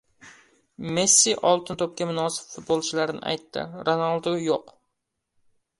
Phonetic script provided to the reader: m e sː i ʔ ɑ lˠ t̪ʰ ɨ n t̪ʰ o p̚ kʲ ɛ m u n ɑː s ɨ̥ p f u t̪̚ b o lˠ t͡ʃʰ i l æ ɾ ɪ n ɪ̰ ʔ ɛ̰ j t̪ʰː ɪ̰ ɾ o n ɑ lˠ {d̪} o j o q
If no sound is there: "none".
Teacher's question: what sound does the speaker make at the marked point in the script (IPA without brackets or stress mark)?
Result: d̪